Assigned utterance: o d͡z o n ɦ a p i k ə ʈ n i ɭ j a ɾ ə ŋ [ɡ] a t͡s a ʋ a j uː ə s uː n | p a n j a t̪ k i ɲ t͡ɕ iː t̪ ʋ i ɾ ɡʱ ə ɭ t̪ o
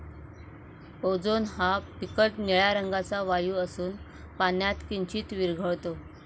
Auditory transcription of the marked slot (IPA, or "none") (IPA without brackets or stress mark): ɡ